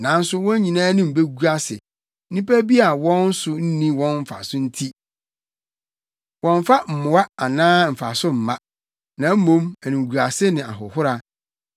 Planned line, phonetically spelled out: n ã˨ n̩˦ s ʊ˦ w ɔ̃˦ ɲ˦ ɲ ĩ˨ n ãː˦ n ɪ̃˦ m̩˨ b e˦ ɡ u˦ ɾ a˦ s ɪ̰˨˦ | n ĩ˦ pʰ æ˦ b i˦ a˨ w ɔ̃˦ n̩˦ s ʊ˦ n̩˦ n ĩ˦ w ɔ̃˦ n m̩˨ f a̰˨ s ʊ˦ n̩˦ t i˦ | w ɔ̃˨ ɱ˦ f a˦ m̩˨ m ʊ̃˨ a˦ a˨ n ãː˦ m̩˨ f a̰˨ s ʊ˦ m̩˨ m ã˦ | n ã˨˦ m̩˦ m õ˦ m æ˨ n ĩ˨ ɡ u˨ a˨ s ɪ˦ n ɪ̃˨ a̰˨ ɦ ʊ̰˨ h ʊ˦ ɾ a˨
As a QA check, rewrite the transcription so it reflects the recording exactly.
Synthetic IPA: n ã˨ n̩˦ s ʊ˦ w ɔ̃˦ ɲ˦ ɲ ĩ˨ n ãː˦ n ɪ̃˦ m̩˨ b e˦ ɡ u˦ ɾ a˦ s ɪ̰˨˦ | n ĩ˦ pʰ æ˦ b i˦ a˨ w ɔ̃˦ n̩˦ s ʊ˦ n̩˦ n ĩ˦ w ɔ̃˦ n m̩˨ f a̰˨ s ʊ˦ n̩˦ tʰ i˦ | w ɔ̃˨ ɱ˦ f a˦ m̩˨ m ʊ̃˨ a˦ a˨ n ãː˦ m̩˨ f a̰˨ s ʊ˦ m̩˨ m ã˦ | n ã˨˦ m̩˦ m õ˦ m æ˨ n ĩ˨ ɡ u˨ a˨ s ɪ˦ n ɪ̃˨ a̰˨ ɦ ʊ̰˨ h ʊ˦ ɾ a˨